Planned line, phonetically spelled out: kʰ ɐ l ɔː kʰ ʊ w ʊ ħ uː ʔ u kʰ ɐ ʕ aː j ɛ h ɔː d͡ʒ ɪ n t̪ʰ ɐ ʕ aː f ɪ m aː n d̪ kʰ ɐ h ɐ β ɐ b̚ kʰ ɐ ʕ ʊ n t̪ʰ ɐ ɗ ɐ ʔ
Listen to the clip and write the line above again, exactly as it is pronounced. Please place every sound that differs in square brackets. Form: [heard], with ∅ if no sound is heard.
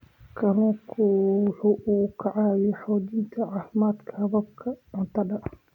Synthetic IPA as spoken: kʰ ɐ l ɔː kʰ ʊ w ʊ ħ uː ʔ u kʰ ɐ ʕ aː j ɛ [ħ] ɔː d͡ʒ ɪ n t̪ʰ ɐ ʕ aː f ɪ m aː [∅] d̪ kʰ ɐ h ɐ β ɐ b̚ kʰ ɐ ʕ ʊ n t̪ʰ ɐ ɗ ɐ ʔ